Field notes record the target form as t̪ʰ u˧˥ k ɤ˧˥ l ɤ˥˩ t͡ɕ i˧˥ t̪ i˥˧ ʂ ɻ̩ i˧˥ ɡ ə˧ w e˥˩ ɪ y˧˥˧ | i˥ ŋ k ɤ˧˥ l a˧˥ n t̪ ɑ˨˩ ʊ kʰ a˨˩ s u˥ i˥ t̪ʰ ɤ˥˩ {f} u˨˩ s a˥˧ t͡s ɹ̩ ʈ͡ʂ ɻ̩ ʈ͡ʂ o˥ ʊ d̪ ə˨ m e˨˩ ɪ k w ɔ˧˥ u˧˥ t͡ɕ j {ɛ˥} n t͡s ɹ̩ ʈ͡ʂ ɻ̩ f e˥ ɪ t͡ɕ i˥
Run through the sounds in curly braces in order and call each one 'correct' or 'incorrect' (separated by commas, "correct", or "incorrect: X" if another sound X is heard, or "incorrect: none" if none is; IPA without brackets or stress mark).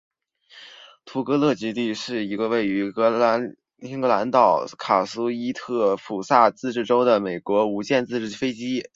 correct, incorrect: ɛ˥˧